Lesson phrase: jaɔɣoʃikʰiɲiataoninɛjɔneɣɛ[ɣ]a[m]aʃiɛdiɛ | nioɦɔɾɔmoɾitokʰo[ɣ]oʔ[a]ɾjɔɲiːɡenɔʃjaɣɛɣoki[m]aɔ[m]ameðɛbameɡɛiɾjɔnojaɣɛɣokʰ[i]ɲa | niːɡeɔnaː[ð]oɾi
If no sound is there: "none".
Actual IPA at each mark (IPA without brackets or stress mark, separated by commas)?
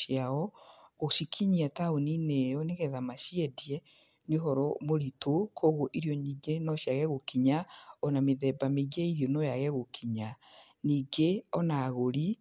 ð, m, ɣ, i, ɲ, n, i, ɣ